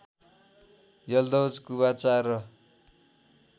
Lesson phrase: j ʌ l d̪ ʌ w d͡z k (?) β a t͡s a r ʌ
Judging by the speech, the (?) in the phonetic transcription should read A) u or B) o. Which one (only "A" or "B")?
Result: A